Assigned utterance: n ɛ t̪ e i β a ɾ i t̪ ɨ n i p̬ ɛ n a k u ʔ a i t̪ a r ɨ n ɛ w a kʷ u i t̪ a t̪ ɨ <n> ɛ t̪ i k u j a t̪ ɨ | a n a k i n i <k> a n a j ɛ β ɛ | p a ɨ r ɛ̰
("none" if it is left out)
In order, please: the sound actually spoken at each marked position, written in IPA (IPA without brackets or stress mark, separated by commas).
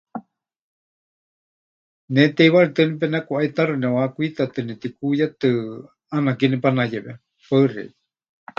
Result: n, p